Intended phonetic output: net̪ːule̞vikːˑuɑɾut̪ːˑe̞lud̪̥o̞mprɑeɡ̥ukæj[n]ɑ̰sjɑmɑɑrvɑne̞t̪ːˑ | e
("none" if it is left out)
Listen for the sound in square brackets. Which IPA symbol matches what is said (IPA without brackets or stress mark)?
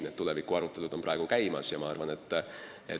m